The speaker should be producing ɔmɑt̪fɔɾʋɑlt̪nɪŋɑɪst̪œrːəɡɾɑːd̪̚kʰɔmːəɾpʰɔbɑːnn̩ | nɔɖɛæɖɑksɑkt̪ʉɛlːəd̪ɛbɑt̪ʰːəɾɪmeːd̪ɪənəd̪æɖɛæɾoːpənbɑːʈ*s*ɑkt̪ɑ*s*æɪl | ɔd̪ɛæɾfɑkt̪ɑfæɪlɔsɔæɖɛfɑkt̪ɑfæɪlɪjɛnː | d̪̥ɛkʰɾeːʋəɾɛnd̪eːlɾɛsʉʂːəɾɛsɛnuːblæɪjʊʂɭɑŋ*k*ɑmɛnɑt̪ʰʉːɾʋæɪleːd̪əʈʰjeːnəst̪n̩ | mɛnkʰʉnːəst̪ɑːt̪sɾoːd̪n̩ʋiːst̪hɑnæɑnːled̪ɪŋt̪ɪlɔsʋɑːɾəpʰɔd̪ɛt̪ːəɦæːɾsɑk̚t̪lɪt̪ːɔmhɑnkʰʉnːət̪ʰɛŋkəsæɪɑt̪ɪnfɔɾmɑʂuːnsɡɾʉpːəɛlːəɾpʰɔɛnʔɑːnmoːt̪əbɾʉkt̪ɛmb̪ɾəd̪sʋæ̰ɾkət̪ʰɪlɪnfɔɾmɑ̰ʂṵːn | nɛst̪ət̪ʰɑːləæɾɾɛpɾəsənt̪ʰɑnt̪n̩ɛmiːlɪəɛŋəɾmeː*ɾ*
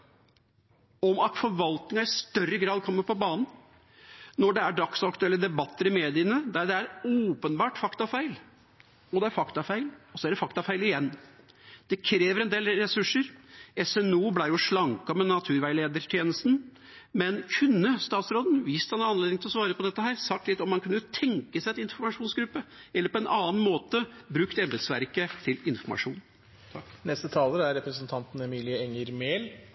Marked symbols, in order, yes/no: no, no, yes, no

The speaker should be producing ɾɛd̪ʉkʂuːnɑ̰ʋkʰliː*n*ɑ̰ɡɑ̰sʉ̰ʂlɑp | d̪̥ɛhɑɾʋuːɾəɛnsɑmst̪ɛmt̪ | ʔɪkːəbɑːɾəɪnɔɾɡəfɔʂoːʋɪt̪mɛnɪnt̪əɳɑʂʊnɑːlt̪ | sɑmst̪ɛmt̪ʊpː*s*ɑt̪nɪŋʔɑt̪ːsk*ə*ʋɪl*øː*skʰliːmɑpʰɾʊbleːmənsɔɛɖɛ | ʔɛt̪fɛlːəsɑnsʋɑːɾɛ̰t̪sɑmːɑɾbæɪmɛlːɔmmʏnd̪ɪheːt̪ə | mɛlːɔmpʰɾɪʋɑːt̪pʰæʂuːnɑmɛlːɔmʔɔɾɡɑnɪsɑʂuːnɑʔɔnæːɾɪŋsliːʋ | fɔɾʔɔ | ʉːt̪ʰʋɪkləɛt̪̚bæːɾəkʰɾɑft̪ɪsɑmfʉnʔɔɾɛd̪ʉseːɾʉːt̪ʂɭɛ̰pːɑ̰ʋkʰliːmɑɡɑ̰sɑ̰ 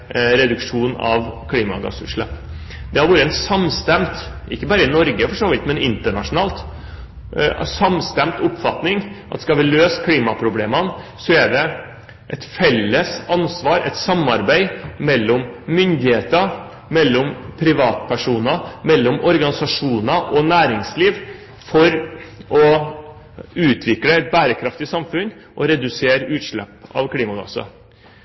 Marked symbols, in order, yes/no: no, no, no, yes

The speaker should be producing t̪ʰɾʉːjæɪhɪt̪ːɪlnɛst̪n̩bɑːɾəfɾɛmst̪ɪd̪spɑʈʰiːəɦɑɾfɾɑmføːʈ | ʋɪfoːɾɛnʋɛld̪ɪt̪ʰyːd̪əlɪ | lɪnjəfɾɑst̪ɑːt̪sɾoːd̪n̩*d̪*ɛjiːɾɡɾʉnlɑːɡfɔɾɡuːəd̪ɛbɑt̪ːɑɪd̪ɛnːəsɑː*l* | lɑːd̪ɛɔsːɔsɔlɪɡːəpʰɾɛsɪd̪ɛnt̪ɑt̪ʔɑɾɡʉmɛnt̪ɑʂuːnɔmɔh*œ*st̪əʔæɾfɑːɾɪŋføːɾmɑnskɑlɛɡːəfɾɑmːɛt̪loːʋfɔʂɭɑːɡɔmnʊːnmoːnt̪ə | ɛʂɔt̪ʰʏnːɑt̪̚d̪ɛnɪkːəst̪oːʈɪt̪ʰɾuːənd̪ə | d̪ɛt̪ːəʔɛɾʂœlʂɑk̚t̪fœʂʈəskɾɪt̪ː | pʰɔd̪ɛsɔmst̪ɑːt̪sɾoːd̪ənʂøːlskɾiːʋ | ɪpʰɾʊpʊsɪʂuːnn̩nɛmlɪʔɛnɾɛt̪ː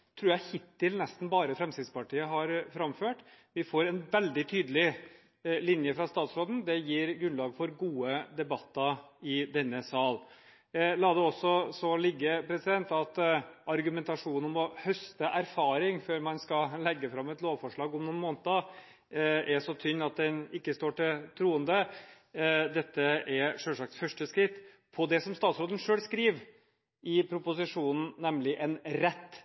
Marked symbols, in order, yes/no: yes, yes, yes

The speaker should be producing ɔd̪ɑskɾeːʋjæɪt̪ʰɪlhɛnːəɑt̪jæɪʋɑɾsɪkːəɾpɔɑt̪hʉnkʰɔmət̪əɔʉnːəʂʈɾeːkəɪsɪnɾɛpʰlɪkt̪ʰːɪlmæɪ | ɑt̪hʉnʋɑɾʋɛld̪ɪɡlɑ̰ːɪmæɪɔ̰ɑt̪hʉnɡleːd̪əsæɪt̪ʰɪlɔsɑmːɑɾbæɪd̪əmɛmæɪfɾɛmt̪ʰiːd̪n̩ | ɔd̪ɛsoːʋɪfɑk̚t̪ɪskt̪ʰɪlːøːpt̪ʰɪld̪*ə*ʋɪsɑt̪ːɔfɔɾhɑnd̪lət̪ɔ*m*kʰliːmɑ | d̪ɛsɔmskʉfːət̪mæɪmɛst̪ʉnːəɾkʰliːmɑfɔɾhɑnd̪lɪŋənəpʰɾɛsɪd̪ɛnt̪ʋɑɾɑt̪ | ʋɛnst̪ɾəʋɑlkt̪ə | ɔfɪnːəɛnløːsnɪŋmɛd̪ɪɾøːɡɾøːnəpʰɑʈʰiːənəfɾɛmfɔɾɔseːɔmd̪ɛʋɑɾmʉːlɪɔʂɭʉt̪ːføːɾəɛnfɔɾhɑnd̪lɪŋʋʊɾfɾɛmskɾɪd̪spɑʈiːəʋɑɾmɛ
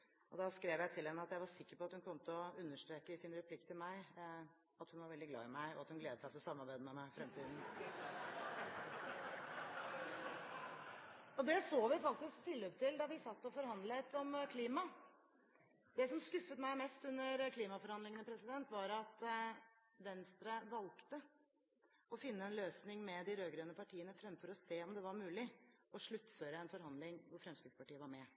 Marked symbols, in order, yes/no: no, yes

